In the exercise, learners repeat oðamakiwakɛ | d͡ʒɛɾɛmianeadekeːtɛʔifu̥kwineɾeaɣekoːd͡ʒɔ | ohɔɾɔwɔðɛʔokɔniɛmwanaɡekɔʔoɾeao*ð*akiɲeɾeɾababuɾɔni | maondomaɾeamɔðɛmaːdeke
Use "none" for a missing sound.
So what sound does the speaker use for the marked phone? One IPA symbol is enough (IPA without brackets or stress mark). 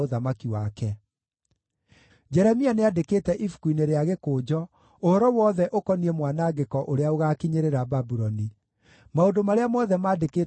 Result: ɣ